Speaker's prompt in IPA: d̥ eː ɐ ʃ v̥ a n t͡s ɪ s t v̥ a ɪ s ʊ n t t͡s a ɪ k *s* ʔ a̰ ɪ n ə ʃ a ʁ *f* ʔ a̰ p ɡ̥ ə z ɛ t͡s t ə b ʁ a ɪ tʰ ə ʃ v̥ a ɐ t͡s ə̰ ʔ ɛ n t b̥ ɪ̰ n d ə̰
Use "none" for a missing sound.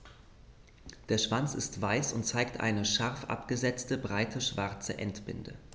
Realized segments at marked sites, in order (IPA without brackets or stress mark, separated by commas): t, f